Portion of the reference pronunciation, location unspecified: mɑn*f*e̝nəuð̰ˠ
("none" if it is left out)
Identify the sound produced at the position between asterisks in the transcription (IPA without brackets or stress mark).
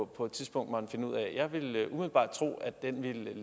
f